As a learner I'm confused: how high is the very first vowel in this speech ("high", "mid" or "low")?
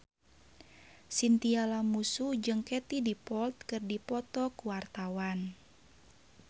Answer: high